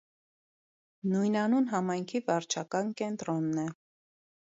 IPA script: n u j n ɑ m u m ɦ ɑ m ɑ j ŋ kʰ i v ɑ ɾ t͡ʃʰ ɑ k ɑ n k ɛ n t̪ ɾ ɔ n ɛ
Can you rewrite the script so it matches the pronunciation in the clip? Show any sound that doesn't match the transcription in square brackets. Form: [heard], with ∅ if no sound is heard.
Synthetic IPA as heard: n u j n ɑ [n] u [n] ɦ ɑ m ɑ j ŋ kʰ i v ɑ ɾ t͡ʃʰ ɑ k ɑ n k ɛ n t̪ ɾ ɔ [nː] ɛ